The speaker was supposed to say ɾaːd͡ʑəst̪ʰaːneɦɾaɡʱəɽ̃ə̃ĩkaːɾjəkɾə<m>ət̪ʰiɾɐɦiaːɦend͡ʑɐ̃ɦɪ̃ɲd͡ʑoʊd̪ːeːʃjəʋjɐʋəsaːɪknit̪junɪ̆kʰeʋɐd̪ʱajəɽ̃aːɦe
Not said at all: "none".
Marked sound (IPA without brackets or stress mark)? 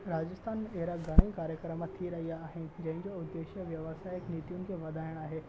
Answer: m